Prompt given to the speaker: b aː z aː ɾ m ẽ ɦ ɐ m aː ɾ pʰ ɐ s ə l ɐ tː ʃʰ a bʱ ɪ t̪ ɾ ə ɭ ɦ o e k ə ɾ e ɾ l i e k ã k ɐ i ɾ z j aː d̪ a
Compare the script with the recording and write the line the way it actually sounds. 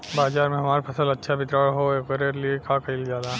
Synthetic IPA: b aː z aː ɾ m ẽ ɦ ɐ m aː ɾ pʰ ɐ s ə l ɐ tː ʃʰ a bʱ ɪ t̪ ɾ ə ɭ ɦ o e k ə ɾ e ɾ l i e k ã k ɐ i l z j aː d̪ a